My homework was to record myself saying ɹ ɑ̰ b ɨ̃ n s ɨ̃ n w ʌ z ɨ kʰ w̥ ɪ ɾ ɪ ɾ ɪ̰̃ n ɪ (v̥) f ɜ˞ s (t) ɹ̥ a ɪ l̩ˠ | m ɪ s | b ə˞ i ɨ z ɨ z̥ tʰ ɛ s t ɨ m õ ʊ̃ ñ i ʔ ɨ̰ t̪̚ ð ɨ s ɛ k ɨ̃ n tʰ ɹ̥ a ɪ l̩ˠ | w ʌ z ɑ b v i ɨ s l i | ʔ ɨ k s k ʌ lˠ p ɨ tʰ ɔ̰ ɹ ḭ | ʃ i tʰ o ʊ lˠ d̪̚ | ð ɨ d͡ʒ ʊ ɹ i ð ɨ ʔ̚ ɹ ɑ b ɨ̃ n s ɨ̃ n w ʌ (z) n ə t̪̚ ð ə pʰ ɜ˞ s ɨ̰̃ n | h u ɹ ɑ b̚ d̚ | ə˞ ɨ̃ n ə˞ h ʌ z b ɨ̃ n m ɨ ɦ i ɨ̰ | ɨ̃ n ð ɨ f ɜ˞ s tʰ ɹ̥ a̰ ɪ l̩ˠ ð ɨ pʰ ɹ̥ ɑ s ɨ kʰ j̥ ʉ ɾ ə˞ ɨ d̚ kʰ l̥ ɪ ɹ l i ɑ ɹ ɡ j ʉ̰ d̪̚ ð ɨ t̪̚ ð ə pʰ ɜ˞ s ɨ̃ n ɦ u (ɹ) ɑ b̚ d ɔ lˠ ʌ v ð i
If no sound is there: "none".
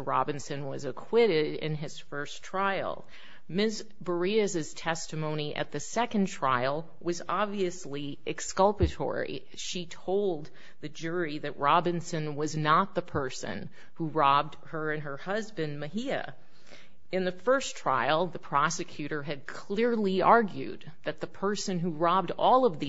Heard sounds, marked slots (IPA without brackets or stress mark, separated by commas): z̥, tʰ, z, ɹ